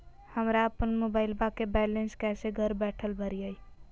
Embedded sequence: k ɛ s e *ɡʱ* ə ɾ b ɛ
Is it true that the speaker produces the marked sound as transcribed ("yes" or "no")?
yes